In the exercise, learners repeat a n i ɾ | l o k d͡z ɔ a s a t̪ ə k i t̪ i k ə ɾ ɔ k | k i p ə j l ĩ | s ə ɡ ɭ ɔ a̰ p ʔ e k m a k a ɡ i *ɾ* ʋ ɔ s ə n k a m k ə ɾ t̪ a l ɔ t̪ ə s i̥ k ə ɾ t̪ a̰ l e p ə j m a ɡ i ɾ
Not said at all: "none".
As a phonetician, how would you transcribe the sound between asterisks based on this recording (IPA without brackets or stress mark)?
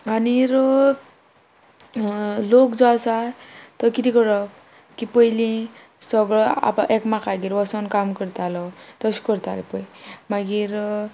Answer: ɾ